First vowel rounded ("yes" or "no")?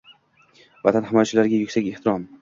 no